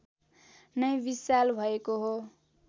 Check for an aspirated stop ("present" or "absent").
absent